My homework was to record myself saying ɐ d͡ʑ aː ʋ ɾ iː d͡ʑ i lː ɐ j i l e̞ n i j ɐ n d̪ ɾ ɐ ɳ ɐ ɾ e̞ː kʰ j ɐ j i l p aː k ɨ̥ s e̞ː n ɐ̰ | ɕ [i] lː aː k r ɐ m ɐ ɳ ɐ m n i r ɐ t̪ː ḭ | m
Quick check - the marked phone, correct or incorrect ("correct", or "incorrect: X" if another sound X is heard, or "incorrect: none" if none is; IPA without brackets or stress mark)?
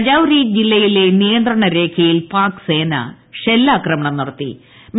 incorrect: e